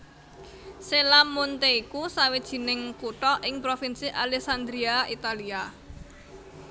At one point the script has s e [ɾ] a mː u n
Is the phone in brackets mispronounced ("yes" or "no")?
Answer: yes